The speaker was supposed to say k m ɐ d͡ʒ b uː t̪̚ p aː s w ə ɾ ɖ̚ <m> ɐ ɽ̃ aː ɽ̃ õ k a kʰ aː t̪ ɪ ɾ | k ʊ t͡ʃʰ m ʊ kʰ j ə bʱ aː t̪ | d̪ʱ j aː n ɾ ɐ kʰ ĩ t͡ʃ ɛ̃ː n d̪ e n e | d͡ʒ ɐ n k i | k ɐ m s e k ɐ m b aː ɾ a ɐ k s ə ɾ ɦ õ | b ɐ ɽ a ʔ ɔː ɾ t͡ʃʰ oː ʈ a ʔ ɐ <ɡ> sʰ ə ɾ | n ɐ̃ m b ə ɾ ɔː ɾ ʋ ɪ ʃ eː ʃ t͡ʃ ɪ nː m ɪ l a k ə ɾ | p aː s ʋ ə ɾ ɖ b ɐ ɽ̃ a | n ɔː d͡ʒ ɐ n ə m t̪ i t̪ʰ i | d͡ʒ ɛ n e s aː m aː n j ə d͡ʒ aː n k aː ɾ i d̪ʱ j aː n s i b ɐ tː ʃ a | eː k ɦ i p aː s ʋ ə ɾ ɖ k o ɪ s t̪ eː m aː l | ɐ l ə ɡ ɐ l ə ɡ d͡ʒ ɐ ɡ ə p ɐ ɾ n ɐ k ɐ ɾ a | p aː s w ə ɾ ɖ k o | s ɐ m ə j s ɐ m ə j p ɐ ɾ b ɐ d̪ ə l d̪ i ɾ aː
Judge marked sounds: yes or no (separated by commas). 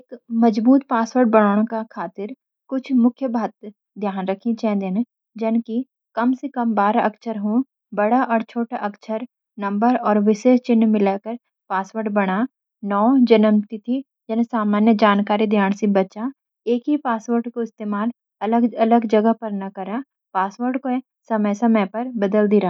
no, no